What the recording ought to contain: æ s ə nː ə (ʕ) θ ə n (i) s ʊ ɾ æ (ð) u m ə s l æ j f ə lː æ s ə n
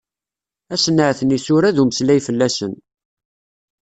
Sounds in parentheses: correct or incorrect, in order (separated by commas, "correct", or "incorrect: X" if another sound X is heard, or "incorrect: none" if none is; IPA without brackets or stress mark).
correct, correct, correct